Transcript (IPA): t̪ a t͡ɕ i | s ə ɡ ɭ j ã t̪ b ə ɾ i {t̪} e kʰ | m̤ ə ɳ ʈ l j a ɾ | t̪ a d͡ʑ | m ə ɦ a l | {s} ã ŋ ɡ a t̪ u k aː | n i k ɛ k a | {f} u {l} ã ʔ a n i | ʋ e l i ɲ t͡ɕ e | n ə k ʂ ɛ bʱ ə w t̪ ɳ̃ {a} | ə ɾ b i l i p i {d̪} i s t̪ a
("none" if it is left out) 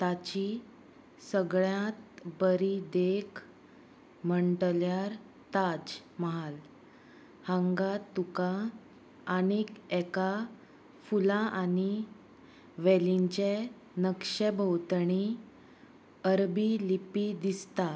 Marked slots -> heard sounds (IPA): d̪, h, f, l, i, d̪

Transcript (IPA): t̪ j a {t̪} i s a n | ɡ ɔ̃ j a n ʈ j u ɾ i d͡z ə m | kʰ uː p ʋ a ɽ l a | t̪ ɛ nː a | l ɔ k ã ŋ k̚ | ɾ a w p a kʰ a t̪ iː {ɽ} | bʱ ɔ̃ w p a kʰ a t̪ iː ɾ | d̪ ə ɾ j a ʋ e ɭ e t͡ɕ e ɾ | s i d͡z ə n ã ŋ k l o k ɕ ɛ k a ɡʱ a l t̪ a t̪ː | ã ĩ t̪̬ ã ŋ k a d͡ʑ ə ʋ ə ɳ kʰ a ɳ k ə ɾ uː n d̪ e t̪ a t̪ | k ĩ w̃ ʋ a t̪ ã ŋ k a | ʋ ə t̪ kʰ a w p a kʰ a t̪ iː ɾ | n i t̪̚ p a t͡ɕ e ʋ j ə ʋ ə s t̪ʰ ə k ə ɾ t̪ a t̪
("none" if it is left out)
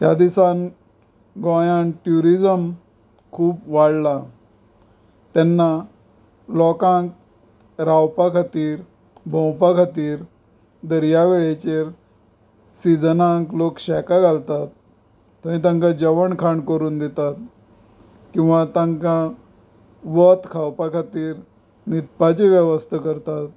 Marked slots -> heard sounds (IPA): d̪, ɾ

